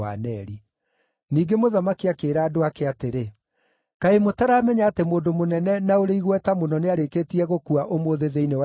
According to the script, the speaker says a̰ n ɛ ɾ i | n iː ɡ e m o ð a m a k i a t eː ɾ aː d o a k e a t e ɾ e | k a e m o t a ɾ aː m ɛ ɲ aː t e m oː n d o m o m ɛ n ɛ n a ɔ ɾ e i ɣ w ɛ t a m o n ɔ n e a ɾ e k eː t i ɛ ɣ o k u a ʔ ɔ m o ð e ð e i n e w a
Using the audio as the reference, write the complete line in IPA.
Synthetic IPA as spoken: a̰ n ɛ ɾ i | n iː ɡ e m o ð a m a k i a k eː ɾ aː d o a k e a t e ɾ e | k a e m o t a ɾ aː m ɛ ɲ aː t e m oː n d o m o n ɛ n ɛ n a o ɾ e i ɣ w ɛ t a m o n ɔ n e a ɾ e k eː t i ɛ ɣ o k u a ʔ o m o ð e ð e i n e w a